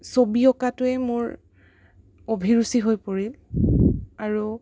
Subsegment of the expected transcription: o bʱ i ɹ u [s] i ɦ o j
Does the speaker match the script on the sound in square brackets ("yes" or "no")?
yes